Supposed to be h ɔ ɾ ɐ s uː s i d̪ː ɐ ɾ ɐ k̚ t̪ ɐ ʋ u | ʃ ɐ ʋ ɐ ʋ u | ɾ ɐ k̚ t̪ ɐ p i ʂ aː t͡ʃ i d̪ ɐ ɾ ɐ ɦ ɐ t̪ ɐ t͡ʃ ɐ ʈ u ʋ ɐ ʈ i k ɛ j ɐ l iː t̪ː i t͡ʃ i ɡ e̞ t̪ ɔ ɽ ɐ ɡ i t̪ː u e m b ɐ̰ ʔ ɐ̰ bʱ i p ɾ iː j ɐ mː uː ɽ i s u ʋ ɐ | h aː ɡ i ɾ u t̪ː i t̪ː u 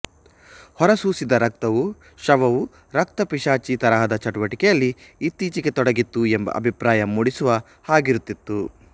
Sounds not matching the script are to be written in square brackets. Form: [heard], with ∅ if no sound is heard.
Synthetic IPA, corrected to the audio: h ɔ ɾ ɐ s uː s i [d̪] ɐ ɾ ɐ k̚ t̪ ɐ ʋ u | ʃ ɐ ʋ ɐ ʋ u | ɾ ɐ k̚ t̪ ɐ p i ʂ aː t͡ʃ i [t̪] ɐ ɾ ɐ ɦ ɐ [d̪] ɐ t͡ʃ ɐ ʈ u ʋ ɐ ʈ i k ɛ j ɐ [lː] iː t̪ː [iː] t͡ʃ i ɡ e̞ t̪ ɔ ɽ ɐ ɡ i t̪ː u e m b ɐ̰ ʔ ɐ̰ bʱ i p ɾ [aː] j ɐ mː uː ɽ i s u ʋ ɐ | h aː ɡ i ɾ u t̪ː i t̪ː u